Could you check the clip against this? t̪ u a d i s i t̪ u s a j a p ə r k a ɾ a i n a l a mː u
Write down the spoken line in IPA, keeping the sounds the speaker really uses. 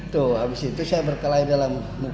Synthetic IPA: t̪ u a b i s i t̪ u s a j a b ə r k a l a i d a l a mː u